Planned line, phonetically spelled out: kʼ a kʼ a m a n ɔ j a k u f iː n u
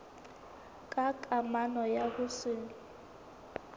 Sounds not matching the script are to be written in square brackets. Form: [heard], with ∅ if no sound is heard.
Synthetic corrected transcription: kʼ a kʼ a m a n ɔ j a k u [s] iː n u